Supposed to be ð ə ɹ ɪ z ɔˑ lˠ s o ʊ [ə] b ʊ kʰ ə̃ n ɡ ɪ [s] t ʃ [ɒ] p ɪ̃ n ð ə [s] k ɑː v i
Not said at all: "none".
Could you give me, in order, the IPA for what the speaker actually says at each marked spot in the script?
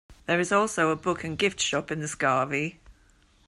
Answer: ə, f, ɒ, s

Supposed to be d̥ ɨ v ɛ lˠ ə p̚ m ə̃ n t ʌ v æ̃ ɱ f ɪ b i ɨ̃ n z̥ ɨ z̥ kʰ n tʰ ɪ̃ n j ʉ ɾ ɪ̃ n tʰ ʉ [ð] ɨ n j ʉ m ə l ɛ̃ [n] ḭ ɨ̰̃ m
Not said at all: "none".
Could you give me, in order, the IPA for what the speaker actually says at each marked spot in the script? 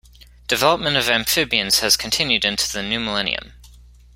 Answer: ð, n

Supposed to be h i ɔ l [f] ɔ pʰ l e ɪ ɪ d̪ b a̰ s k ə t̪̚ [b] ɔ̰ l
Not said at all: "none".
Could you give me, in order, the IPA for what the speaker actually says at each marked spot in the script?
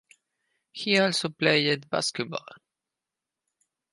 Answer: s, b

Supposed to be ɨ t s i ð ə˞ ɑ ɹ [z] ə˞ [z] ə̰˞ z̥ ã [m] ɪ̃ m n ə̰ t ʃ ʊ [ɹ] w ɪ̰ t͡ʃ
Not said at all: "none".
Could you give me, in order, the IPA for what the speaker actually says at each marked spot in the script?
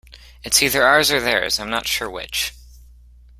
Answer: z, ð, none, ɹ

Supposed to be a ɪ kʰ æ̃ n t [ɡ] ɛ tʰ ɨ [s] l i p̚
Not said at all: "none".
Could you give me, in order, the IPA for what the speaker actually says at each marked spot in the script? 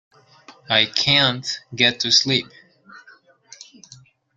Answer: ɡ, s

